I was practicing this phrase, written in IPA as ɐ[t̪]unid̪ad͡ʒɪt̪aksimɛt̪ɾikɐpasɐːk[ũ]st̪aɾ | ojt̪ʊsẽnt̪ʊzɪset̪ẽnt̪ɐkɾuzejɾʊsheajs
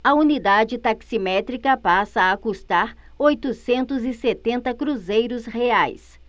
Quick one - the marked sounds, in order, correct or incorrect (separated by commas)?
incorrect, incorrect